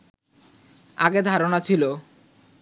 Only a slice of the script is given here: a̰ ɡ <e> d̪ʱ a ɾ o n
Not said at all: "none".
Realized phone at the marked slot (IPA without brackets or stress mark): e